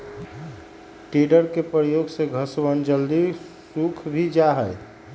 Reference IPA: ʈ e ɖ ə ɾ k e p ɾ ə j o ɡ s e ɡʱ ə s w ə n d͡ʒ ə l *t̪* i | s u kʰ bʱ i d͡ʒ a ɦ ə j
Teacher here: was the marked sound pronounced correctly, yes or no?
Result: no